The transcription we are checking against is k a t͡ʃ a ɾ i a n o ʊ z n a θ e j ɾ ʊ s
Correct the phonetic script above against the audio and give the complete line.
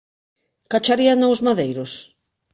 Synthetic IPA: k a t͡ʃ a ɾ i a n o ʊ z m a ð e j ɾ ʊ s